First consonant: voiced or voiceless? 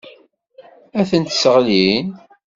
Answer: voiceless